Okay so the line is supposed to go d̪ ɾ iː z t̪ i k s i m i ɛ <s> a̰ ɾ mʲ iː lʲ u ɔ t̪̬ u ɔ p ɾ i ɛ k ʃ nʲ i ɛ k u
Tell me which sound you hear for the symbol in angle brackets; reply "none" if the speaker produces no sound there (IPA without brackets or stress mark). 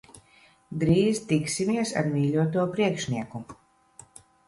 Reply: s